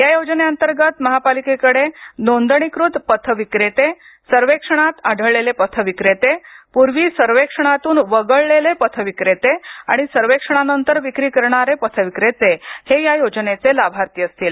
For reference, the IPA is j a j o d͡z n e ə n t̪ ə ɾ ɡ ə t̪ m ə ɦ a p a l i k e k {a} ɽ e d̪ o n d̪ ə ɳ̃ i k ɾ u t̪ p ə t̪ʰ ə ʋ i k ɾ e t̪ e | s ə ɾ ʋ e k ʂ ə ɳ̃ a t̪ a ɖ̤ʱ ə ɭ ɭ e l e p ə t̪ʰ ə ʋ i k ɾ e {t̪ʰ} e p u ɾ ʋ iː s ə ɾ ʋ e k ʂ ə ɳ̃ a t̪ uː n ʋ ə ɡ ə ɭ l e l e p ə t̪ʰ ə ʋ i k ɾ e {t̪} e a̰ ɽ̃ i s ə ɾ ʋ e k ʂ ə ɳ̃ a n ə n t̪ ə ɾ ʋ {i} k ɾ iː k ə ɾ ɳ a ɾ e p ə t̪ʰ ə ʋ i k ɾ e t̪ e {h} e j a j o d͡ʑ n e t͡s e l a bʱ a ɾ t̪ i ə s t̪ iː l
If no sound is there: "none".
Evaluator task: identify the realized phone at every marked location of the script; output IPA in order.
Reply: ə, t̪, t̪, i, h

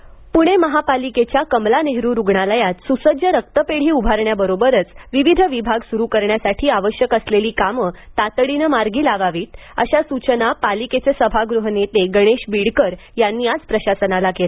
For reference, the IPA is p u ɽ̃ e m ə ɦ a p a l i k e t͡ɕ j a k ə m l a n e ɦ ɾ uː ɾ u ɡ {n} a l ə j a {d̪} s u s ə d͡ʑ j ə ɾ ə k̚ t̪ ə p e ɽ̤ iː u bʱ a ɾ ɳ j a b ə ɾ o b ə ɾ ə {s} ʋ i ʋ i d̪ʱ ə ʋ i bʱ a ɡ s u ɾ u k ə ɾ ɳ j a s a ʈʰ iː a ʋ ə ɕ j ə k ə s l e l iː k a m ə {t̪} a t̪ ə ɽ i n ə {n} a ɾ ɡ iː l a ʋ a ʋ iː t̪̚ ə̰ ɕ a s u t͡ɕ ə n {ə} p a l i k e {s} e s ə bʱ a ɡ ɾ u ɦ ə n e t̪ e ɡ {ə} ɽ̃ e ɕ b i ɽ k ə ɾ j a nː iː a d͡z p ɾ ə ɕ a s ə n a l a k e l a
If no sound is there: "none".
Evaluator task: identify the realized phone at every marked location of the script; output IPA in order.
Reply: ɳ, t̪, t͡s, t̪, m, a, t͡s, ə

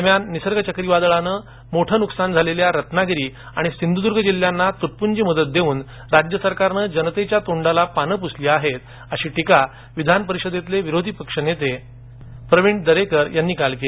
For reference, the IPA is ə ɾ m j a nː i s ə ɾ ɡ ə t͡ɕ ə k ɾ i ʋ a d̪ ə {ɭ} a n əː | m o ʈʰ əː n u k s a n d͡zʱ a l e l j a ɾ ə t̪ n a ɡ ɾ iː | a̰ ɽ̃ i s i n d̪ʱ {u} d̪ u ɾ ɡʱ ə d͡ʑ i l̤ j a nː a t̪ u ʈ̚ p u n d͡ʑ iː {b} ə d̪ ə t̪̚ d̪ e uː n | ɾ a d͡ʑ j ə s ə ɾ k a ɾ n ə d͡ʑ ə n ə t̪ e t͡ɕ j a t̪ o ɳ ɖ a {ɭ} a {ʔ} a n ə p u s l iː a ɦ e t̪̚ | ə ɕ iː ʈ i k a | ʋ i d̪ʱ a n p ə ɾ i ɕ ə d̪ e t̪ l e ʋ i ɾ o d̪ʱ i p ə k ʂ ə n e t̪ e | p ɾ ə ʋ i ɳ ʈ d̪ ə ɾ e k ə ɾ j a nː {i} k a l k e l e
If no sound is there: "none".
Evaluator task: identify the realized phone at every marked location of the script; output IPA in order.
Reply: ɭ, u, m, l, p, iː

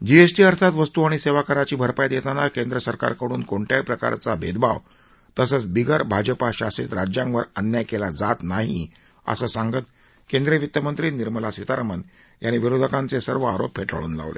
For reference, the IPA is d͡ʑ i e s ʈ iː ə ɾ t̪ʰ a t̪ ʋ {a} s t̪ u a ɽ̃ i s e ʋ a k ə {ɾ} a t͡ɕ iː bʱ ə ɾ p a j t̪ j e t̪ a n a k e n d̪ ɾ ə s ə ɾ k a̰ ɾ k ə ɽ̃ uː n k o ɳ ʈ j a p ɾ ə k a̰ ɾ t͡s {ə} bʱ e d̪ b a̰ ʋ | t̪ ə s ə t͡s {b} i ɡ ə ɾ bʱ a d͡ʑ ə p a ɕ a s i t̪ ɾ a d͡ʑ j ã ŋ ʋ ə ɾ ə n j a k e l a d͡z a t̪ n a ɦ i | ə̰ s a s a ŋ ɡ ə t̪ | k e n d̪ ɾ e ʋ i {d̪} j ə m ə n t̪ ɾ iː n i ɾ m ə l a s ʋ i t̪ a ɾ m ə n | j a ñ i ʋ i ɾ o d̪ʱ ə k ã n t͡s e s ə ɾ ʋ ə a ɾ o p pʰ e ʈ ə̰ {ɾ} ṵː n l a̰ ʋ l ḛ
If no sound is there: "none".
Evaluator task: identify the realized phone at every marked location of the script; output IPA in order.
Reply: ə, ɾ, a, b, t̪, ɭ

